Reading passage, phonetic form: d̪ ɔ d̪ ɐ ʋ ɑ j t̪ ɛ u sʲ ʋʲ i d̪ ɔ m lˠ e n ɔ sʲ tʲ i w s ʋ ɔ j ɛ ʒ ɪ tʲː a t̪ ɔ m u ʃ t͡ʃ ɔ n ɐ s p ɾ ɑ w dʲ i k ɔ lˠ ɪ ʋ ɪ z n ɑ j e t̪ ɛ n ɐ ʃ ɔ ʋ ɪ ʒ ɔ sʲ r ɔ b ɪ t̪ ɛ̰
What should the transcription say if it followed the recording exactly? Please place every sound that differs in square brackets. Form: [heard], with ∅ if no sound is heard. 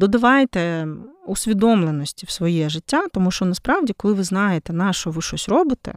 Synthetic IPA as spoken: d̪ ɔ d̪ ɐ ʋ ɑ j t̪ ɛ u sʲ ʋʲ i d̪ ɔ m lˠ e n ɔ sʲ tʲ i w s ʋ ɔ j ɛ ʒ ɪ tʲː a t̪ ɔ m u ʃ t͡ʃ ɔ n ɐ s p ɾ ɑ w dʲ i k ɔ lˠ ɪ ʋ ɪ z n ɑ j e t̪ ɛ n [ɑ] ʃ ɔ ʋ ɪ [ʃ] ɔ sʲ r ɔ b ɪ t̪ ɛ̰